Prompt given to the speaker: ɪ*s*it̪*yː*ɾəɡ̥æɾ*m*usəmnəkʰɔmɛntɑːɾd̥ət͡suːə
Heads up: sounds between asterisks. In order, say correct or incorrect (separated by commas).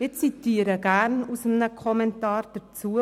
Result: incorrect, incorrect, incorrect